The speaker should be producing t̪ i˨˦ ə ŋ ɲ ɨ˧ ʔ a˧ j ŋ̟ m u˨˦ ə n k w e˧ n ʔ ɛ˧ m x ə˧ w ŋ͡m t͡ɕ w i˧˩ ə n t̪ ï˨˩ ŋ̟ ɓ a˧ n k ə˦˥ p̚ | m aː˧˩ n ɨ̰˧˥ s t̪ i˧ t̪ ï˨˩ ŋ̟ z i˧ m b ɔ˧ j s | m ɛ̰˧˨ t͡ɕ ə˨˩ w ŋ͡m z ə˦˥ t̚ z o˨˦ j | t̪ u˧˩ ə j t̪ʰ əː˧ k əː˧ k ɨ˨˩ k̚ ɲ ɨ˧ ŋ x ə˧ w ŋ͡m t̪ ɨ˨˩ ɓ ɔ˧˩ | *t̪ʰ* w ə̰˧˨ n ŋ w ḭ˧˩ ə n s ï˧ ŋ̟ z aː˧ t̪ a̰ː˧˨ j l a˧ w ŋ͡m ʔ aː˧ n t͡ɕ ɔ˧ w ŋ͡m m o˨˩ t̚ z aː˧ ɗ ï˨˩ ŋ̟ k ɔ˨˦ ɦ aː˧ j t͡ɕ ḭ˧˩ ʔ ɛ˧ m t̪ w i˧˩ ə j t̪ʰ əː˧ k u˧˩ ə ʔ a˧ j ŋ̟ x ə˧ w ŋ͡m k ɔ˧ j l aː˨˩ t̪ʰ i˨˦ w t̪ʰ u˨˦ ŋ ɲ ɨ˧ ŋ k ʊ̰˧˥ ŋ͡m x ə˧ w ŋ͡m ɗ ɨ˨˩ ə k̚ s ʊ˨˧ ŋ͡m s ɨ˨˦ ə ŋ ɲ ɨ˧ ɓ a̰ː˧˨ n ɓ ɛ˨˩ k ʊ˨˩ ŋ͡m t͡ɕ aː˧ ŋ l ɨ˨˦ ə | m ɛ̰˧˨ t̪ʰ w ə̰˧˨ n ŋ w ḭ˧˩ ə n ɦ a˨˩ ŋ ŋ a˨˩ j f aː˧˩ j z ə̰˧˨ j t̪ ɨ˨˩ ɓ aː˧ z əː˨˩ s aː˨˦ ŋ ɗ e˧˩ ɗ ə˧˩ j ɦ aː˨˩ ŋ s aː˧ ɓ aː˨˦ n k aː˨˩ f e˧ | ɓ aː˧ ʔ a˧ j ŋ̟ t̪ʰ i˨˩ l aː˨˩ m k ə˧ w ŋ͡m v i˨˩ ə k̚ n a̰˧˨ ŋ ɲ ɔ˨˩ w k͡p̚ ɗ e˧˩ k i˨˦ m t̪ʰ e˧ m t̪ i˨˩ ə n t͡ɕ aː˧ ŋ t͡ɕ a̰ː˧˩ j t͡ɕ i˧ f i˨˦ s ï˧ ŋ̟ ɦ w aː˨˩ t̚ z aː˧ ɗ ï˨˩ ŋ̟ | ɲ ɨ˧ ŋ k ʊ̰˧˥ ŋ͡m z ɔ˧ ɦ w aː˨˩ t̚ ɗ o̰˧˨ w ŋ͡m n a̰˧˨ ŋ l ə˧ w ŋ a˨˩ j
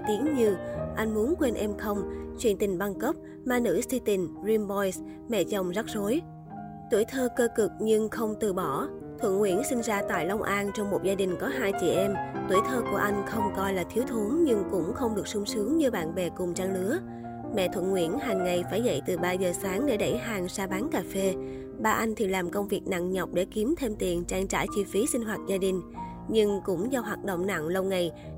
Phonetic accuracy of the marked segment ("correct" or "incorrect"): correct